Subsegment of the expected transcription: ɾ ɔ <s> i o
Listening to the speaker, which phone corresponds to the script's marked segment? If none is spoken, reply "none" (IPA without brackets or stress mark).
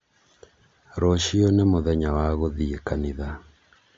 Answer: ʃ